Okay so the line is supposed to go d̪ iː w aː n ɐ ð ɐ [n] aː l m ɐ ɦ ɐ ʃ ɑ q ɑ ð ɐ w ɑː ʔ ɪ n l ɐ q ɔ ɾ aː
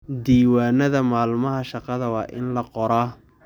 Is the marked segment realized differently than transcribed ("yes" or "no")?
yes